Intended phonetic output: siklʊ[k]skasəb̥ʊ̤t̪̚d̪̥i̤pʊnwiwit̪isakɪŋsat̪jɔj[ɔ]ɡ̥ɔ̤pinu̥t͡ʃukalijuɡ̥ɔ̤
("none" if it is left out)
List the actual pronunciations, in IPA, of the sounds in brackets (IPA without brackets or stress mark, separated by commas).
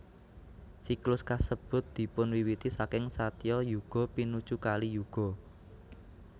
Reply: none, u